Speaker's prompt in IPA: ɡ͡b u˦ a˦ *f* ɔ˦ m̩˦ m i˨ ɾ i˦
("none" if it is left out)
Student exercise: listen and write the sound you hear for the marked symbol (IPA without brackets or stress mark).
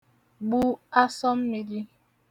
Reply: s